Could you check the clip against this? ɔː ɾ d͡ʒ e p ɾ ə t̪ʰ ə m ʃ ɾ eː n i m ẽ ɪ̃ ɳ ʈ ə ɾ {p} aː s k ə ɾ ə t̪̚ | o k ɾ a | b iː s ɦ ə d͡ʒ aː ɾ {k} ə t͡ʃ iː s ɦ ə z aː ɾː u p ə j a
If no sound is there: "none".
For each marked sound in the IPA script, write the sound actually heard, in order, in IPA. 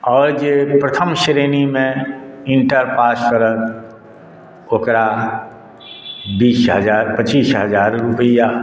p, p

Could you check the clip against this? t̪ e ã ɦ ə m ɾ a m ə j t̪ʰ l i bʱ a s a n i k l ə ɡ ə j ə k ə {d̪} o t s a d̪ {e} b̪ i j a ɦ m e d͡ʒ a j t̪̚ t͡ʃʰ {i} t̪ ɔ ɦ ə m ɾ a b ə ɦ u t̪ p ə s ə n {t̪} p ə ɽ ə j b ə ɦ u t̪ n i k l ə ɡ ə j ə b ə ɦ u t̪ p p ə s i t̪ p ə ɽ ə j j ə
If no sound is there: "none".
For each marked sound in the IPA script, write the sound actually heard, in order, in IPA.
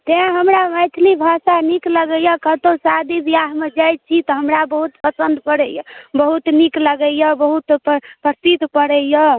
t̪, i, i, d̪

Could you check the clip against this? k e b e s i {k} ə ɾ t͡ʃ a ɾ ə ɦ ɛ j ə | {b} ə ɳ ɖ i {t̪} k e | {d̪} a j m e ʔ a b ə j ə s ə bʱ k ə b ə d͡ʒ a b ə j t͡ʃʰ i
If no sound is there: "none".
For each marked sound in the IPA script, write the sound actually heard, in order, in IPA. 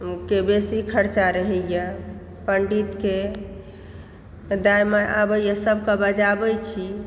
kʰ, p, t̪, d̪

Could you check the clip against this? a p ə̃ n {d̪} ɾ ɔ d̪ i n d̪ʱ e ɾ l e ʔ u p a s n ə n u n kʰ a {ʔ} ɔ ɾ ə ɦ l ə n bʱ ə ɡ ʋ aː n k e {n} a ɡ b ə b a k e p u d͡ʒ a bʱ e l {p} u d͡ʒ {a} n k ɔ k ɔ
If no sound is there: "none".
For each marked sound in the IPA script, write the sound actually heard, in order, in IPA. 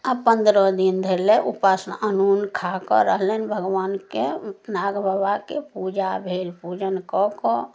d̪, k, n, p, ə

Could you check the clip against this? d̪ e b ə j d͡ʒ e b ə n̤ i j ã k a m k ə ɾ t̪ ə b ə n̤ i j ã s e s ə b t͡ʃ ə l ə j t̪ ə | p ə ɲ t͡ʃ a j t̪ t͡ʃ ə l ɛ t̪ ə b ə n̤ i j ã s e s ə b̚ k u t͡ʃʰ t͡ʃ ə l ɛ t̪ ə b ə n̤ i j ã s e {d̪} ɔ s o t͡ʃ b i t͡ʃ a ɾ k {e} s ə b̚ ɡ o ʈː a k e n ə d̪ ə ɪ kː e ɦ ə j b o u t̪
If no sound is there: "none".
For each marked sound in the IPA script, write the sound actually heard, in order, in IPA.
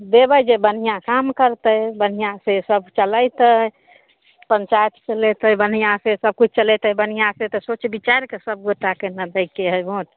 t̪, e

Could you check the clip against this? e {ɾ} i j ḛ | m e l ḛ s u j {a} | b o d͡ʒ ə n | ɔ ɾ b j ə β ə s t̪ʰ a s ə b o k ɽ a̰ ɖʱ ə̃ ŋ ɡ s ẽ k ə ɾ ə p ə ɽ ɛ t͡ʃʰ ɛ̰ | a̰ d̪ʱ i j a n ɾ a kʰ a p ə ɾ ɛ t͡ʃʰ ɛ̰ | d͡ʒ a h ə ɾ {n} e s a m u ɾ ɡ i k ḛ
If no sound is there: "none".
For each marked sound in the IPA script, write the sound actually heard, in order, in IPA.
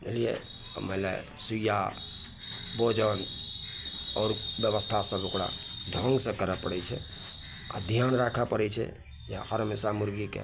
l, a, m

